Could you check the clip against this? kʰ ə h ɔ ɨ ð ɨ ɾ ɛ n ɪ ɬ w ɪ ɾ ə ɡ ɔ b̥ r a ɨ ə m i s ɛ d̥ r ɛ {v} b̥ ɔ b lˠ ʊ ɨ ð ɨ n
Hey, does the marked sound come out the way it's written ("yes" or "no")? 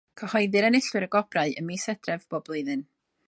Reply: yes